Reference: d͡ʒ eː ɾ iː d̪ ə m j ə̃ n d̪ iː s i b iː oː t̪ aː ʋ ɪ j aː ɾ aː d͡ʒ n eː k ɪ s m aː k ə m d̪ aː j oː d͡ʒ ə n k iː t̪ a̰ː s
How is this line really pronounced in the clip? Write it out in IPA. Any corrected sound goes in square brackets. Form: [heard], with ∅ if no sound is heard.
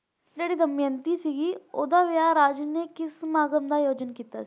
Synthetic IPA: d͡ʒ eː [ɽ] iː d̪ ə m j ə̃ n [t̪] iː s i [ɡ] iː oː [d̪] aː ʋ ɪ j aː ɾ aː d͡ʒ n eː k ɪ s m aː [ɡ] ə m d̪ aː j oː d͡ʒ ə n k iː t̪ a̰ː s